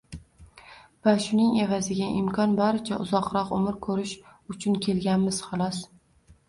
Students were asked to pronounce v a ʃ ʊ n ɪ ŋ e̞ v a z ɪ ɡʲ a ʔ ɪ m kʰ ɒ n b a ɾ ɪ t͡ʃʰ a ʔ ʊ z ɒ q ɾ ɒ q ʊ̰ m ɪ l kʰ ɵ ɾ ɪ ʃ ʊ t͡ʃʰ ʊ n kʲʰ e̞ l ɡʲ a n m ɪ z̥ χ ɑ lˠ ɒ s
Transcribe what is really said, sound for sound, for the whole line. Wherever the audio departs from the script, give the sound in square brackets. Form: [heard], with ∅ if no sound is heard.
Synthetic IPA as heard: v a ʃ ʊ n ɪ ŋ e̞ v a z ɪ ɡʲ a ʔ ɪ m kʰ ɒ n b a ɾ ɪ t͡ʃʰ a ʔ ʊ z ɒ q ɾ ɒ q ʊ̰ m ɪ [ɾ] kʰ ɵ ɾ ɪ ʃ ʊ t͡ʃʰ ʊ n kʲʰ e̞ l ɡʲ a n m ɪ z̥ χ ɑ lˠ ɒ s

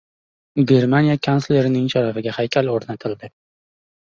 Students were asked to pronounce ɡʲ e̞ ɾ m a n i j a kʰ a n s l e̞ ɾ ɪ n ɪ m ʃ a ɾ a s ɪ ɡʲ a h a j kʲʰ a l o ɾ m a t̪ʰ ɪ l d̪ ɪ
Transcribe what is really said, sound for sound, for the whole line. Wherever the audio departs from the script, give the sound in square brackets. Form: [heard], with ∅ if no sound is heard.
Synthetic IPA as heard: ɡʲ e̞ ɾ m a n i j a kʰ a n s l e̞ ɾ ɪ n ɪ [ŋ] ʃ a ɾ a [f] ɪ ɡʲ a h a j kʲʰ a l o ɾ [n] a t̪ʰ ɪ l d̪ ɪ

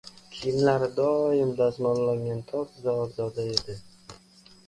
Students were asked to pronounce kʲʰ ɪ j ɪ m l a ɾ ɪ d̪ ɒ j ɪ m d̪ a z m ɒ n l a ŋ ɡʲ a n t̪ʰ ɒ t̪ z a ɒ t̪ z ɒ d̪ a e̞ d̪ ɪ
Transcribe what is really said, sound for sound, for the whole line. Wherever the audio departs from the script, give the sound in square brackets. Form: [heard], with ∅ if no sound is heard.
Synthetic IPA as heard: kʲʰ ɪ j ɪ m l a ɾ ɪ d̪ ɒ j ɪ m d̪ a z m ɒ n l a ŋ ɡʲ a n t̪ʰ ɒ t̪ z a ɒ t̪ z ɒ d̪ a e̞ d̪ ɪ

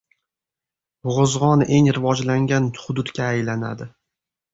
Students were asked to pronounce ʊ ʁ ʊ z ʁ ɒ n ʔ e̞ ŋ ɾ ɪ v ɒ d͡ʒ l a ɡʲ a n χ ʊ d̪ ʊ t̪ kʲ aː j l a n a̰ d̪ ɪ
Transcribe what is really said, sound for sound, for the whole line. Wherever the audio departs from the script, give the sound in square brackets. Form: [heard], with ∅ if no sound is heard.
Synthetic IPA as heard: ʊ ʁ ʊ z ʁ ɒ n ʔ e̞ ŋ ɾ ɪ v ɒ d͡ʒ l a [ŋʲ] a n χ ʊ d̪ ʊ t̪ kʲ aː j l a n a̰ d̪ ɪ

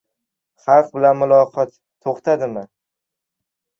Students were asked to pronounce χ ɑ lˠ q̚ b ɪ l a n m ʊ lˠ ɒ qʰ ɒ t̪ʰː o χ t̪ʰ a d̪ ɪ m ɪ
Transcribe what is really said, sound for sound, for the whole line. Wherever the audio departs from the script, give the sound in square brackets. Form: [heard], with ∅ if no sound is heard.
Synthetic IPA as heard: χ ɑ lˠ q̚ b ɪ l a n m ʊ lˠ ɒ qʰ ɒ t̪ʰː o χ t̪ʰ a d̪ ɪ m ɪ

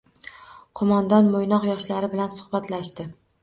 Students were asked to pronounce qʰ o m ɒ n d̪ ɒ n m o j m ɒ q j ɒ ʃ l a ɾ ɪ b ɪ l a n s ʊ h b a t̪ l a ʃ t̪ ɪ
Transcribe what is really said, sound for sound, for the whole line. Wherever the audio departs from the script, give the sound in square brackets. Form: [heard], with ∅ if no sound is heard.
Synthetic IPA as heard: qʰ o m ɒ n d̪ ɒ n m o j [n] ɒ q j ɒ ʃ l a ɾ ɪ b ɪ l a n s ʊ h b a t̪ l a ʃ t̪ ɪ

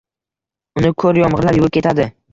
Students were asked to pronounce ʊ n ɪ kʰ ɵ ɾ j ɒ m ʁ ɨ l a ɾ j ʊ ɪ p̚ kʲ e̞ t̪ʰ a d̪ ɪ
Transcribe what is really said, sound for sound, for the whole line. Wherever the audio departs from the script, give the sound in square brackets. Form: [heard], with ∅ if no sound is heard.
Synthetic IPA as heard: ʊ n ɪ kʰ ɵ ɾ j ɒ m ʁ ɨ l a ɾ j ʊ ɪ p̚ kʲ e̞ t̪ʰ a d̪ ɪ

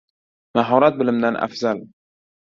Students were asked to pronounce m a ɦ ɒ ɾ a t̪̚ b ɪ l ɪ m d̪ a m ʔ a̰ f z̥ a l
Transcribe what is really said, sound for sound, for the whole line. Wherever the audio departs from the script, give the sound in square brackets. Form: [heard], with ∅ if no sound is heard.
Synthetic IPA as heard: m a ɦ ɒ ɾ a t̪̚ b ɪ l ɪ m d̪ a [n] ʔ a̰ f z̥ a l

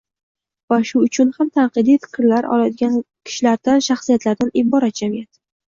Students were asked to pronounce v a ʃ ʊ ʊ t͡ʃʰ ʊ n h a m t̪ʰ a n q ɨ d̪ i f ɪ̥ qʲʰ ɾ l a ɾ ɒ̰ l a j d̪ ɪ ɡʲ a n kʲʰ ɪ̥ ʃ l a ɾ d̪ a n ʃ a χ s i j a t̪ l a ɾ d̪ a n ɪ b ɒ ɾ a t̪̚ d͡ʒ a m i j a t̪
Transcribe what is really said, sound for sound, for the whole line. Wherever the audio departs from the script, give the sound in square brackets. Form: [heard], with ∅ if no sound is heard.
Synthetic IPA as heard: v a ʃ ʊ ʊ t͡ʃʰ ʊ n h a m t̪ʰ a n q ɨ d̪ i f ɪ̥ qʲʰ ɾ l a ɾ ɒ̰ l a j d̪ ɪ ɡʲ a n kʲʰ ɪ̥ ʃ l a ɾ d̪ a n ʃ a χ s i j a t̪ l a ɾ d̪ a n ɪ b ɒ ɾ a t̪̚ d͡ʒ a m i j a t̪

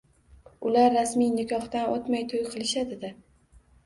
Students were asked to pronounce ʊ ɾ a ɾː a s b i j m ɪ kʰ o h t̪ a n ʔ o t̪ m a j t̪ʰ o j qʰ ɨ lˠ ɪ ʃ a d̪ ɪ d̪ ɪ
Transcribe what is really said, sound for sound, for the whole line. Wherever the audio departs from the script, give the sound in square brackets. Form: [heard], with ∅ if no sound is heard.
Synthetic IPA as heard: ʊ [l] a ɾː a s [m] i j [n] ɪ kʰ [ɒ] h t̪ a n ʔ o t̪ m a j t̪ʰ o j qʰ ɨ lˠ ɪ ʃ a d̪ ɪ d̪ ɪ

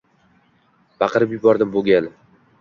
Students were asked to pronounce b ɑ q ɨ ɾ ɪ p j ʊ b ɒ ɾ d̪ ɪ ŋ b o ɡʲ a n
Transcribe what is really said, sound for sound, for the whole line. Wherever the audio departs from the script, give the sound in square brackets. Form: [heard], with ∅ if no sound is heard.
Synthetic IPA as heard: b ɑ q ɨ ɾ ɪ p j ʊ b ɒ ɾ d̪ ɪ [m] b o ɡʲ a n

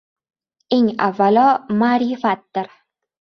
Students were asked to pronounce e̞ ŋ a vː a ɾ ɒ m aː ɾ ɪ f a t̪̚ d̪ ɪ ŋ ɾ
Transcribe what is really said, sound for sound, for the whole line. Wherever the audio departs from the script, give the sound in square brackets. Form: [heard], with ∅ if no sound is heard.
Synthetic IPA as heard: e̞ ŋ a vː a [l] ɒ m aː ɾ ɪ f a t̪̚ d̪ ɪ [∅] ɾ

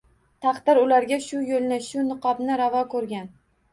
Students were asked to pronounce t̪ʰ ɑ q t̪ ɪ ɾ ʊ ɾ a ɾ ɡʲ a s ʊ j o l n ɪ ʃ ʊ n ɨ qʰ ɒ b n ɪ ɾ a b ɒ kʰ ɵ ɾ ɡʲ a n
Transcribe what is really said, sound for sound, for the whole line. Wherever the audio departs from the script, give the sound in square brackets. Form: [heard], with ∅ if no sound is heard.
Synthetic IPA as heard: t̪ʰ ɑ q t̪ ɪ ɾ ʊ [l] a ɾ ɡʲ a [ʃ] ʊ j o l n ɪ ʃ ʊ n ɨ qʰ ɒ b n ɪ ɾ a [v] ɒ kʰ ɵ ɾ ɡʲ a n

